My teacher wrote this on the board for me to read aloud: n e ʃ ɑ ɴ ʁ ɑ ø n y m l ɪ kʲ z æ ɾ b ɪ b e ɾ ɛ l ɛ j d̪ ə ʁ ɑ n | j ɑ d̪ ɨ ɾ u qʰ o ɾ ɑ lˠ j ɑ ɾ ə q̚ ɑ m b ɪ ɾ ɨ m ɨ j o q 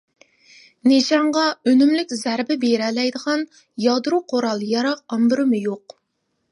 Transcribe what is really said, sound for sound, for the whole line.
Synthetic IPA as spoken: n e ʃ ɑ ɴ ʁ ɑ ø n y m l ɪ kʲ z æ ɾ b ɪ b e ɾ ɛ l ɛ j d̪ ə ʁ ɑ n | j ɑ d̪ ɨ ɾ u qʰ o ɾ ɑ lˠ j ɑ ɾ ɑ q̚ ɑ m b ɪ ɾ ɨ m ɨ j o q

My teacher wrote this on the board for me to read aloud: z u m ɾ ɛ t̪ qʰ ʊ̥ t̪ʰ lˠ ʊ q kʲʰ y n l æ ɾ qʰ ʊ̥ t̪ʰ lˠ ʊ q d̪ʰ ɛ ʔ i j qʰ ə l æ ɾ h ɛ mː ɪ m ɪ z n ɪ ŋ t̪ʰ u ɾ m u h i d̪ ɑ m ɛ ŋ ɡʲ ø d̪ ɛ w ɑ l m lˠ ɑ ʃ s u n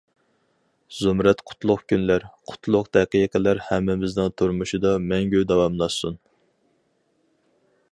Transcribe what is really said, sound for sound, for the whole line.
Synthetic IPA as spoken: z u m ɾ ɛ t̪ qʰ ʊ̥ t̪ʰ lˠ ʊ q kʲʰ y n l æ ɾ qʰ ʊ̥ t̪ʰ lˠ ʊ q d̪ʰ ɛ q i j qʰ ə l æ ɾ h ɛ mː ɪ m ɪ z n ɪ ŋ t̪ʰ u ɾ m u ʃ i d̪ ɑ m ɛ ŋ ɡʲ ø d̪ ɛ w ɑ m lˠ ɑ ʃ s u n

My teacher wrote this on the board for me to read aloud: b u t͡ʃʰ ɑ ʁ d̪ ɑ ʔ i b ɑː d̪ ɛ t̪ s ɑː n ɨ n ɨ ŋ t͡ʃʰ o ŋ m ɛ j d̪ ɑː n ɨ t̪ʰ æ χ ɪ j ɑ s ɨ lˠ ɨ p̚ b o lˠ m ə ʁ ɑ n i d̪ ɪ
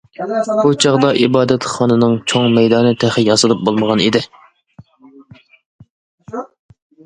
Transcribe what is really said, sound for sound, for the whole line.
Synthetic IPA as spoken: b u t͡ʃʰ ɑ ʁ d̪ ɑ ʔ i b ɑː d̪ ɛ t̪ χ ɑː n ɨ n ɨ ŋ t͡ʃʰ o ŋ m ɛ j d̪ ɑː n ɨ t̪ʰ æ χ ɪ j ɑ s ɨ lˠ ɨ p̚ b o lˠ m ə ʁ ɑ n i d̪ ɪ

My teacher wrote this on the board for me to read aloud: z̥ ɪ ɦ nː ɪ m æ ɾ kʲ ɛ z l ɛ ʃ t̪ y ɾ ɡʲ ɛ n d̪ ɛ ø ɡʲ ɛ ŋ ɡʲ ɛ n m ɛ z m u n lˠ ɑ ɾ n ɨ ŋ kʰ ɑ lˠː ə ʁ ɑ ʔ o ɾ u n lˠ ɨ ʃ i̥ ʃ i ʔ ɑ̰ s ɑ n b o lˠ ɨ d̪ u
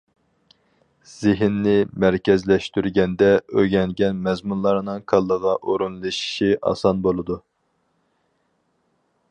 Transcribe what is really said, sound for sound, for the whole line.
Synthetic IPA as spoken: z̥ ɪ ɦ nː ɪ m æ ɾ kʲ ɛ z l ɛ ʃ t̪ y ɾ ɡʲ ɛ n d̪ ɛ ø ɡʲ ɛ ŋ ɡʲ ɛ n m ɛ z m u n lˠ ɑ ɾ n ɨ ŋ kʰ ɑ lˠː ə ʁ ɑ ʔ o ɾ u n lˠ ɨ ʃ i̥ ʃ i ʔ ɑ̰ s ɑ n b o lˠ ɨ d̪ u

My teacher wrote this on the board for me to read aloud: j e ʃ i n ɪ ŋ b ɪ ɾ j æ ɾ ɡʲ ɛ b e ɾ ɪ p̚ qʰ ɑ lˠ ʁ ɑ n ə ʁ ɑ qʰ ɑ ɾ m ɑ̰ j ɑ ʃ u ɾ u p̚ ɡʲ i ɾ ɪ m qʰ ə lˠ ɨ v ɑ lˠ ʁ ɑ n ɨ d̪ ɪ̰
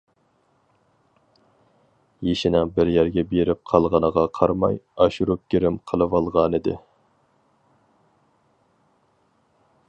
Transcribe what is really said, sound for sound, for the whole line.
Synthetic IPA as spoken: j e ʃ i n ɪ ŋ b ɪ ɾ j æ ɾ ɡʲ ɛ b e ɾ ɪ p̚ qʰ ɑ lˠ ʁ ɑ n ə ʁ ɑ qʰ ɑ ɾ m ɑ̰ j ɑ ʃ u ɾ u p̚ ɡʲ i ɾ ɪ m qʰ ə lˠ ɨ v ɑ lˠ ʁ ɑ n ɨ d̪ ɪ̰

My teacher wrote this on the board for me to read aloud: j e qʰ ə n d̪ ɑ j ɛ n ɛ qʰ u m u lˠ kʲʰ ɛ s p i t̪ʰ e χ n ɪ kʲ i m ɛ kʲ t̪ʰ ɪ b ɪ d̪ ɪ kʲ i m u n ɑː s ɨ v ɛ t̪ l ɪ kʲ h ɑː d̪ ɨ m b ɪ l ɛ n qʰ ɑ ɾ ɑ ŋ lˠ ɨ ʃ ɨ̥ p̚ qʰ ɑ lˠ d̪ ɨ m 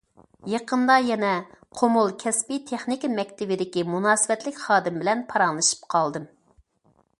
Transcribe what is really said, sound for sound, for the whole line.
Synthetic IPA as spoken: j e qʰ ə n d̪ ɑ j ɛ n ɛ qʰ o m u lˠ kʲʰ ɛ s p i t̪ʰ e χ n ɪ kʲ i m ɛ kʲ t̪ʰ ɪ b ɪ d̪ ɪ kʲ i m u n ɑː s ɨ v ɛ t̪ l ɪ kʲ χ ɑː d̪ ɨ m b ɪ l ɛ n pʰ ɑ ɾ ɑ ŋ lˠ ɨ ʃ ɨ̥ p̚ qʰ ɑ lˠ d̪ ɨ m

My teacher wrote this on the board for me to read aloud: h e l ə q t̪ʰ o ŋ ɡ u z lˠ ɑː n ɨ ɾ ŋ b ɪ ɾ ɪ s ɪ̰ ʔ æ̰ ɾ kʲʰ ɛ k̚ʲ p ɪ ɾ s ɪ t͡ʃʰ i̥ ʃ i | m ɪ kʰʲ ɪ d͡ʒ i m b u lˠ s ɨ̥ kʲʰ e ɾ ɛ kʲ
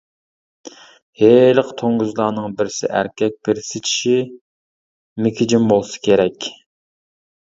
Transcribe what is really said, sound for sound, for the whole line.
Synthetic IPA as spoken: h e l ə q t̪ʰ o ŋ ɡ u z lˠ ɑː n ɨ ŋ b ɪ ɾ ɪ s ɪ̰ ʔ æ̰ ɾ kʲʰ ɛ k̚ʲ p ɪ ɾ s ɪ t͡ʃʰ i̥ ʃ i | m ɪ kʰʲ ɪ d͡ʒ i m b o lˠ s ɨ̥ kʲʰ e ɾ ɛ kʲ

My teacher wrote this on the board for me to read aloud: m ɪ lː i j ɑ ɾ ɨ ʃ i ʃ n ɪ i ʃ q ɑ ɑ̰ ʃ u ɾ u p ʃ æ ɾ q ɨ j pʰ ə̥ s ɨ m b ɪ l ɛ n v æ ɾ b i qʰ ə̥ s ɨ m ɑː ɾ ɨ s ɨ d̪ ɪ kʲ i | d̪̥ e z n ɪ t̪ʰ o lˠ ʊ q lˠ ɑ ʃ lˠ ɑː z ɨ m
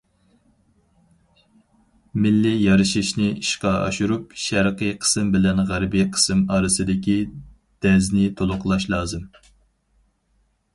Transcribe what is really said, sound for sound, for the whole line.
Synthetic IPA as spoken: m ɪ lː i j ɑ ɾ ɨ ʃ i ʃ n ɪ i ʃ q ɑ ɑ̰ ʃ u ɾ u p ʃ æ ɾ q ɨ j qʰ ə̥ s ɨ m b ɪ l ɛ n ʁ æ ɾ b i qʰ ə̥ s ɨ m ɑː ɾ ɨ s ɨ d̪ ɪ kʲ i | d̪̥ ɛ z n ɪ t̪ʰ o lˠ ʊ q lˠ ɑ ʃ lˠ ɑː z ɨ m

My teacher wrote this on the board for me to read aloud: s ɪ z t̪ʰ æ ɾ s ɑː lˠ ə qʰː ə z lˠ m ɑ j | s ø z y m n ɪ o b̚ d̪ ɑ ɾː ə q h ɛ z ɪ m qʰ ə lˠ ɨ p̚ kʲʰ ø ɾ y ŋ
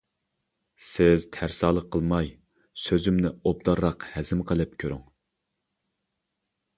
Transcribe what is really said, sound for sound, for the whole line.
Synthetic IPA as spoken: s ɪ z t̪ʰ æ ɾ s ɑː lˠ ə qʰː ə lˠ m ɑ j | s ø z y m n ɪ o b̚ d̪ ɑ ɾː ɑ q h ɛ z ɪ m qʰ ə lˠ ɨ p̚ kʲʰ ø ɾ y ŋ

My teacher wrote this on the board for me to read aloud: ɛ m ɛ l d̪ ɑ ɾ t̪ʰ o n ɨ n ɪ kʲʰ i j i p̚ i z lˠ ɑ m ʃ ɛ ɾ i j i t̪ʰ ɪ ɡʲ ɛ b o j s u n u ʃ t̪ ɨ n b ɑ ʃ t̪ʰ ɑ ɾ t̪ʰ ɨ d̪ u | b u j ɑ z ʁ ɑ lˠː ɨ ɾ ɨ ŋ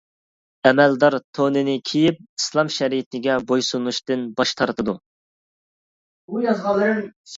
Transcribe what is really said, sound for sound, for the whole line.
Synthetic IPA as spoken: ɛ m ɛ l d̪ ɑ ɾ t̪ʰ o n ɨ n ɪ kʲʰ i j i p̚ i s lˠ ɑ m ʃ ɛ ɾ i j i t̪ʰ ɪ ɡʲ ɛ b o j s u n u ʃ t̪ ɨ n b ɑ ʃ t̪ʰ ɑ ɾ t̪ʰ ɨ d̪ u | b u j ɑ z ʁ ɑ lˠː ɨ ɾ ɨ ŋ

